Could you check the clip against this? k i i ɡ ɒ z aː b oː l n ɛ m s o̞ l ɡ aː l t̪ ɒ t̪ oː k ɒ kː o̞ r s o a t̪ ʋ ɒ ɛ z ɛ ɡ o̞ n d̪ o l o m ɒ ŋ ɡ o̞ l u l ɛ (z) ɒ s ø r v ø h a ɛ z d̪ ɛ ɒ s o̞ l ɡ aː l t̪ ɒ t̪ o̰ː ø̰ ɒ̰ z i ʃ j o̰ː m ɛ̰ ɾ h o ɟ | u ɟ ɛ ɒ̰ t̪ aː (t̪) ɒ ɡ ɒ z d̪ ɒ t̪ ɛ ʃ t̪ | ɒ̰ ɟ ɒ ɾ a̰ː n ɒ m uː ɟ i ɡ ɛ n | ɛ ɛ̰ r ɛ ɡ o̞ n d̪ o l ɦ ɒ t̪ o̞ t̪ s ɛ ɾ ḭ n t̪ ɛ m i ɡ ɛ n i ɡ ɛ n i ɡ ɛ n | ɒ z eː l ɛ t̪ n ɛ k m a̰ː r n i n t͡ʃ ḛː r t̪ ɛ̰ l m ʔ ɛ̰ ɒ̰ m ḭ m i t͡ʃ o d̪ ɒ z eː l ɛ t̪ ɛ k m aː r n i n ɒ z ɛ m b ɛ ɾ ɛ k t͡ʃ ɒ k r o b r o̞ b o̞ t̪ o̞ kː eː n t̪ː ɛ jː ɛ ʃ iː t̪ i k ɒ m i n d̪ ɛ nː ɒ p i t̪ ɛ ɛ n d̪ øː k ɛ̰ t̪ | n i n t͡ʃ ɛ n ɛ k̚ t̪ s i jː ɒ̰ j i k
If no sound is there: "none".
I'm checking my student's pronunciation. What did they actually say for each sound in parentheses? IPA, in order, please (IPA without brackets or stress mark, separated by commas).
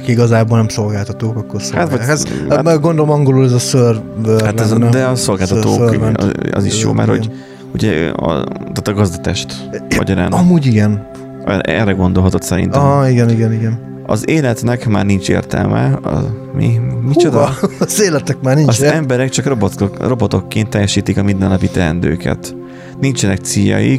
z, t̪